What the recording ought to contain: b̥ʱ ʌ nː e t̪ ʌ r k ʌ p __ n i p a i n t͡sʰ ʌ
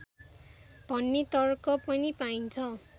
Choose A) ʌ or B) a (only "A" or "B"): A